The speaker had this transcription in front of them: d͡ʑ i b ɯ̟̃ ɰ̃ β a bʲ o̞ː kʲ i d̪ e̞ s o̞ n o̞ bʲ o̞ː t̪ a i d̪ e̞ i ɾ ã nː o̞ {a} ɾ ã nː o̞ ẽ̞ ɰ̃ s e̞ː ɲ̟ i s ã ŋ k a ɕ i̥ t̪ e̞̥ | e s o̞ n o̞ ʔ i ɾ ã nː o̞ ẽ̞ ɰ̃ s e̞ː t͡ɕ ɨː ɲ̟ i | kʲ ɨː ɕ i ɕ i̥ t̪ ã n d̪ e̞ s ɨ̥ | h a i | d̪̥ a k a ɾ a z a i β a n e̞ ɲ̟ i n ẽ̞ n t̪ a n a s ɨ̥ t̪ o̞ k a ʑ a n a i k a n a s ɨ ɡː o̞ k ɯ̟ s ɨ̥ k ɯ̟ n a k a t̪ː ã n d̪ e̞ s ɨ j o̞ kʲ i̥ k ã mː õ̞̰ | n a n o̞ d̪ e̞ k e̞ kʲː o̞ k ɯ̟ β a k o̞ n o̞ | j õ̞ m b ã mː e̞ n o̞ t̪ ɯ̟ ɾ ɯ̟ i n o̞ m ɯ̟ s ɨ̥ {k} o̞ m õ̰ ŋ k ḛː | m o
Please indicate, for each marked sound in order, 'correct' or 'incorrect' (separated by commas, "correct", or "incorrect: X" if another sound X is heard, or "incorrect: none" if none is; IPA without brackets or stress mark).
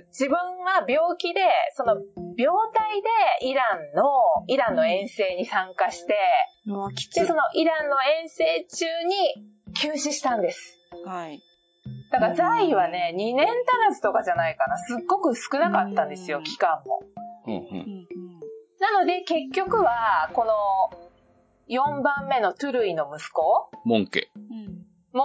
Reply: incorrect: i, correct